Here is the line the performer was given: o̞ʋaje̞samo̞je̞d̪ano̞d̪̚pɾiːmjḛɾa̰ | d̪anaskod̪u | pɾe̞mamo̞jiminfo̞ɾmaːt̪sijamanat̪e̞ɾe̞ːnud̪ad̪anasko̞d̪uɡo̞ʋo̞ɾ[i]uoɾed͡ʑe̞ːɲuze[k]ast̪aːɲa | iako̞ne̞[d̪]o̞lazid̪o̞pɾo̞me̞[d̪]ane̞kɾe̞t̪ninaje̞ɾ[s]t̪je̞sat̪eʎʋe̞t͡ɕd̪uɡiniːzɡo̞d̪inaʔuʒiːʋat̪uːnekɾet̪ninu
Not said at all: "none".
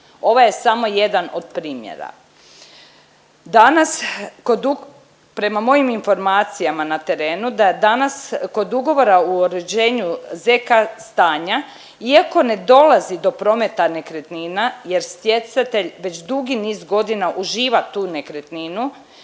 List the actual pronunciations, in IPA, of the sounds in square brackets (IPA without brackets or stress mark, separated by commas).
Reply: a, k, d̪, t̪, s